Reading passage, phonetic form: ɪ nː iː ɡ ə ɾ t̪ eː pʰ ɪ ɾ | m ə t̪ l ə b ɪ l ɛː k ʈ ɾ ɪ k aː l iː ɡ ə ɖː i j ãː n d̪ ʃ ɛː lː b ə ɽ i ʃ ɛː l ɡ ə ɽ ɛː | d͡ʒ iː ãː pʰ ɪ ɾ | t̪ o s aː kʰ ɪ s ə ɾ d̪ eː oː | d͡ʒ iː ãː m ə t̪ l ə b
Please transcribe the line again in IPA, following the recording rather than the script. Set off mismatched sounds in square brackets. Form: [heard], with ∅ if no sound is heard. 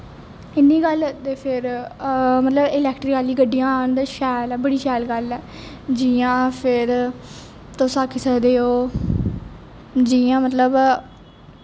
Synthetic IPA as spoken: ɪ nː iː ɡ ə [l] t̪ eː pʰ ɪ ɾ | m ə t̪ l ə b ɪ l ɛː k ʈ ɾ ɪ k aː l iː ɡ ə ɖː i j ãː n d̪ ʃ ɛː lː b ə ɽ [iː] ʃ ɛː l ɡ ə [l] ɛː | d͡ʒ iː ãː pʰ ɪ ɾ | t̪ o s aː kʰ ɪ s ə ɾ d̪ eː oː | d͡ʒ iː ãː m ə t̪ l ə b